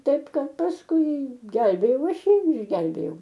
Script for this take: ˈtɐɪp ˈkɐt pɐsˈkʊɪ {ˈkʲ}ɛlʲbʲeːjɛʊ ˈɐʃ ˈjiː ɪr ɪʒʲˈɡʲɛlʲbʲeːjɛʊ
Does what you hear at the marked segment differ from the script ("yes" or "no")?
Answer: yes